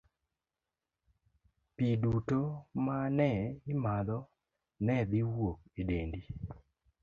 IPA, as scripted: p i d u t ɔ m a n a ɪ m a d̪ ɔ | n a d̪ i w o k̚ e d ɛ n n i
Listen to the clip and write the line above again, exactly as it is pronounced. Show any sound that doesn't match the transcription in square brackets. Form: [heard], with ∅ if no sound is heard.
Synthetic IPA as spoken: p i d u t [o] m a n [ɛ] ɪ m a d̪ ɔ | n [ɛ] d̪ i w o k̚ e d [e] n [d] i